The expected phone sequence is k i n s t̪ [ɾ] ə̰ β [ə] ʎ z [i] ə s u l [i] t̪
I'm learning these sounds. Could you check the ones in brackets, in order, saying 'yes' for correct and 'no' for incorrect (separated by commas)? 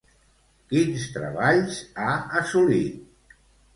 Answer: yes, no, no, yes